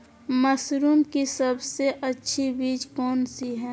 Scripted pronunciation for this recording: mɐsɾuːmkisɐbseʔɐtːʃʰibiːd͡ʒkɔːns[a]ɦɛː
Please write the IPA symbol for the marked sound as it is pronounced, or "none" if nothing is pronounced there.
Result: i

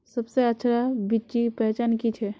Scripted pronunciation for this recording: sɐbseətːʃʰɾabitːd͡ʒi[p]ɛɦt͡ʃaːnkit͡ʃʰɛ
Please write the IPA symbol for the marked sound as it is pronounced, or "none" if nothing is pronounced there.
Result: p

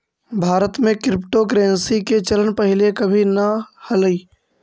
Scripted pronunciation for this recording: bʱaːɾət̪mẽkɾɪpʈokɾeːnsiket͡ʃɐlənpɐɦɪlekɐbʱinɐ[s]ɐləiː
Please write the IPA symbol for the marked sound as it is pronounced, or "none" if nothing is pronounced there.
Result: h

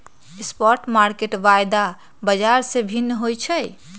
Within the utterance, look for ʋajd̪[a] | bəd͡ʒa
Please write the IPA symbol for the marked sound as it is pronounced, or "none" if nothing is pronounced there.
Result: a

